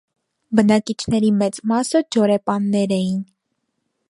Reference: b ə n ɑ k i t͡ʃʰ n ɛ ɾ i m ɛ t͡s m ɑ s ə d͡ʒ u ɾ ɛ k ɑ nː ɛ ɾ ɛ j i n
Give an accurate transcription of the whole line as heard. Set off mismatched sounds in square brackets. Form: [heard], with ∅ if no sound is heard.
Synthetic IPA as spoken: b ə n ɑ k i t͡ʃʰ n ɛ ɾ i m ɛ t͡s m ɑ s ə d͡ʒ [ɔ] ɾ ɛ [p] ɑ nː ɛ ɾ ɛ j i n